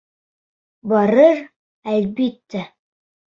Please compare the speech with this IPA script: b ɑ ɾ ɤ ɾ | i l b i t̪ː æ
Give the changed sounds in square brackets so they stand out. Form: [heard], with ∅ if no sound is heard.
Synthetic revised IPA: b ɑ ɾ ɤ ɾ | [æ] l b i t̪ː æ